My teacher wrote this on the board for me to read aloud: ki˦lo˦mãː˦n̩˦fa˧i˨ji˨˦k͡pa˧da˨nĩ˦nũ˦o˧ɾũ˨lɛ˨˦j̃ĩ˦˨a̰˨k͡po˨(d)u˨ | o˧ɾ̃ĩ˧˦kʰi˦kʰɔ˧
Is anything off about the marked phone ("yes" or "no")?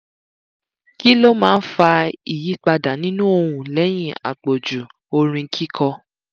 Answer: yes